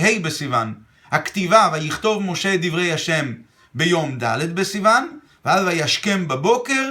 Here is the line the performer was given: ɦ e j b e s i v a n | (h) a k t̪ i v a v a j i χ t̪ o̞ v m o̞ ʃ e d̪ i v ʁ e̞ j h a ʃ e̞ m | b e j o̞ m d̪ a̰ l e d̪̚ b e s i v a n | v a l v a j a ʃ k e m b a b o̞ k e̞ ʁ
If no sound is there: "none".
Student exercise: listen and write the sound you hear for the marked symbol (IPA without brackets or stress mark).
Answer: h